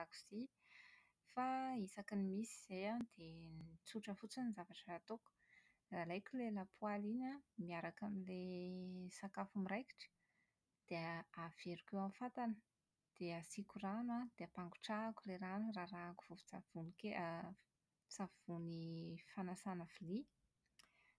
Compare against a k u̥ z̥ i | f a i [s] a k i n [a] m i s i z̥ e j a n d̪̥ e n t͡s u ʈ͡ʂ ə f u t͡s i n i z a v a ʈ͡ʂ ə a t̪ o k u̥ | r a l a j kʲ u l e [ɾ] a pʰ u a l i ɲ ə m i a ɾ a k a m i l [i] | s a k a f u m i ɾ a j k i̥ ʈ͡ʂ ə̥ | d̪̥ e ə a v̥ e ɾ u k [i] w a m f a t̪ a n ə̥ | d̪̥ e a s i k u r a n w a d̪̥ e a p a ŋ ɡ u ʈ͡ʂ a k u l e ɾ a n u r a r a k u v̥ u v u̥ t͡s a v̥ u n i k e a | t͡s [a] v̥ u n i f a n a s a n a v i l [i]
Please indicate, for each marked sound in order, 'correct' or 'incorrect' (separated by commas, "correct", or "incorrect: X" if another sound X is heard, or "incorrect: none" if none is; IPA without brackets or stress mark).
correct, incorrect: i, incorrect: l, incorrect: e, incorrect: e, correct, correct